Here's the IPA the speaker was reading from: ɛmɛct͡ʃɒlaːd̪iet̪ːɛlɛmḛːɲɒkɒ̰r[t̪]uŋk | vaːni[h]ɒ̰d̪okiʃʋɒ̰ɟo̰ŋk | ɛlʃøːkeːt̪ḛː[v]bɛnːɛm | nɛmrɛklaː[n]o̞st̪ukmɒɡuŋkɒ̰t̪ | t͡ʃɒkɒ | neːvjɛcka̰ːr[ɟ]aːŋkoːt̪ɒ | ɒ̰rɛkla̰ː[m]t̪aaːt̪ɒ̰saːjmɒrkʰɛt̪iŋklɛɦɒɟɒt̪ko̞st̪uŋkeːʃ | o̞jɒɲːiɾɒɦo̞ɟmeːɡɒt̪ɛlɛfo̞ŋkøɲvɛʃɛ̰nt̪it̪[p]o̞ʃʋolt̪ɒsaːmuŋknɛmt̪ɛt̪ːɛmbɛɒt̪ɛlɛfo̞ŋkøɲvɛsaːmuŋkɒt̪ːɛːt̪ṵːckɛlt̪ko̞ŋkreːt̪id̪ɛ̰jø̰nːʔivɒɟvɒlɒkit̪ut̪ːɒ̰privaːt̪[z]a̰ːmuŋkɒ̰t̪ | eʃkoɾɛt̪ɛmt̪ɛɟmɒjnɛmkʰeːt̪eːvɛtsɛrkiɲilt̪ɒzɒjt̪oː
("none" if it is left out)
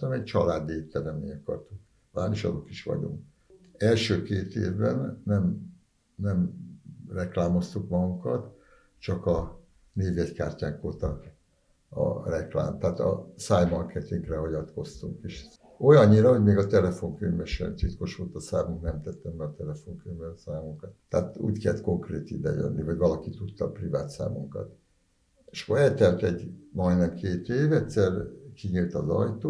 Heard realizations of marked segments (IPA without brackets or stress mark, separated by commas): t̪, ʃ, v, m, c, m, k, s